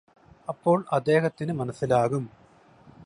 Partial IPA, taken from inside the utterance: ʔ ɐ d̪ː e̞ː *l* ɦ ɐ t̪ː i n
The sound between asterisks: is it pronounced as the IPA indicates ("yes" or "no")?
no